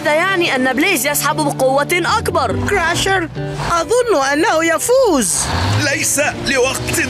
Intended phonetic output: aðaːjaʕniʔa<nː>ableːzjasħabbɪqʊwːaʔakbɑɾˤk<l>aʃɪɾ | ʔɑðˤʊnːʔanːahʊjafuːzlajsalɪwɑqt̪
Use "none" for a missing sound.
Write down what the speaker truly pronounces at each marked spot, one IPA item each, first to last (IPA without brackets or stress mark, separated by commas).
nː, ɾ